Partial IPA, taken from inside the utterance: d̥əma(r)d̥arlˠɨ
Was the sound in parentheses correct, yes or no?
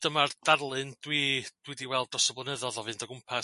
yes